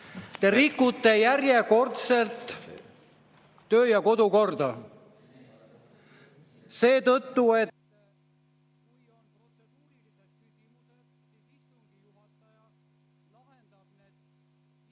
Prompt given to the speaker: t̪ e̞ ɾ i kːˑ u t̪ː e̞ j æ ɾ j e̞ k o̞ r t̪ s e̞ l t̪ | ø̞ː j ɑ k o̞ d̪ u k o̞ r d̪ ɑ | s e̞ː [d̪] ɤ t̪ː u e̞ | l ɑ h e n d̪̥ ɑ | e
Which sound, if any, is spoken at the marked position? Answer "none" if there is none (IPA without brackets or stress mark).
t̪